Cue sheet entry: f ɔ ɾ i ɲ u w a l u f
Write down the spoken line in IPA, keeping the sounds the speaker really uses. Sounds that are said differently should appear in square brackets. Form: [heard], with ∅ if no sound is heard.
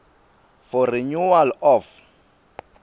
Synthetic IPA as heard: f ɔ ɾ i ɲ u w a l [ɔ] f